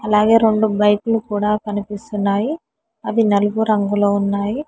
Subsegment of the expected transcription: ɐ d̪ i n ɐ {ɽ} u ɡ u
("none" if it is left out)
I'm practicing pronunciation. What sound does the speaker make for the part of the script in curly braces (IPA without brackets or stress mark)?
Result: l